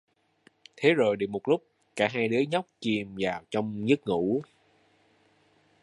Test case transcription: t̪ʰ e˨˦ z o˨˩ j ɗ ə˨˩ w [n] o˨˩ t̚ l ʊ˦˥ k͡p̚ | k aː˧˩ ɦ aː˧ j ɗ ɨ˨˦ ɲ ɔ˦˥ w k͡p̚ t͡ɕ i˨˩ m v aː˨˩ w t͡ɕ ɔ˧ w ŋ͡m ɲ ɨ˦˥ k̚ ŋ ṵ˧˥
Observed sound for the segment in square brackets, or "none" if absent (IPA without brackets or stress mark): m